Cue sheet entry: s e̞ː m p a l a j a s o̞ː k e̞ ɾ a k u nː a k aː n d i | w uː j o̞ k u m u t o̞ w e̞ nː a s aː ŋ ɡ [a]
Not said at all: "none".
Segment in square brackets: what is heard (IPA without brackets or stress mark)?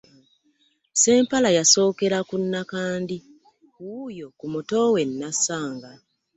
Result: a